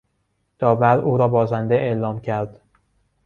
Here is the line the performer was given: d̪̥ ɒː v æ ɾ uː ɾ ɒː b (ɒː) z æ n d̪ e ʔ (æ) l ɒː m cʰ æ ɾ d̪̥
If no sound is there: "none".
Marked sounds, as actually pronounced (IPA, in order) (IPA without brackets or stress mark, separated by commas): ɒː, e